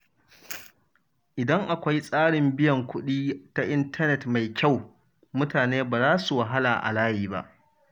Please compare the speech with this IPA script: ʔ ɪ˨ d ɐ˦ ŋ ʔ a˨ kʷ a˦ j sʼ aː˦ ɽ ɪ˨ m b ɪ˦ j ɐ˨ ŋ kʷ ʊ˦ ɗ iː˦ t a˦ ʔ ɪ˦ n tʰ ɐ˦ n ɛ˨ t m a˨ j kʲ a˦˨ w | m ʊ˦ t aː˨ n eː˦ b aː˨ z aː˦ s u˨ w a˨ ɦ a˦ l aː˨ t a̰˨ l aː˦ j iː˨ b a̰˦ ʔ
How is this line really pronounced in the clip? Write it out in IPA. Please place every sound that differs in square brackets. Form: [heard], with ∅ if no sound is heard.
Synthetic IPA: ʔ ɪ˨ d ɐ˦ ŋ ʔ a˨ kʷ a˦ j sʼ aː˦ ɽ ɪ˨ m b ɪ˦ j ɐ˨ ŋ kʷ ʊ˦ ɗ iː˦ t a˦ ʔ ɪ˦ n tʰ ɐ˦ n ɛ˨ t m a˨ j kʲ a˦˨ w | m ʊ˦ t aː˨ n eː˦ b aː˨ z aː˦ s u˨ w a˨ ɦ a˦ l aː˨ [ʔ] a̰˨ l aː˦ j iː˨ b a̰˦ ʔ